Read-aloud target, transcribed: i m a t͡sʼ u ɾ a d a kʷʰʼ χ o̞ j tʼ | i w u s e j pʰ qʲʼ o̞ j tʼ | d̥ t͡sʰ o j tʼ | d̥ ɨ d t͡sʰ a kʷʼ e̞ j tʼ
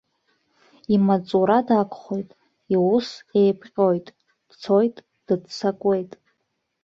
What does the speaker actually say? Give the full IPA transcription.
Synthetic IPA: i m a t͡sʼ u ɾ a d a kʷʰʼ χ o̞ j tʼ | i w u s e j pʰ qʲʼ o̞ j tʼ | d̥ t͡sʰ o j tʼ | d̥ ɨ d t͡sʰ a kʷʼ e̞ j tʼ